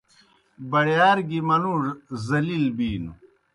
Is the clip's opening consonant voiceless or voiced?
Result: voiced